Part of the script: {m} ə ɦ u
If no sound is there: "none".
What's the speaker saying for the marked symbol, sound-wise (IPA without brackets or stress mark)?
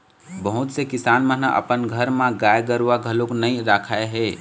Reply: b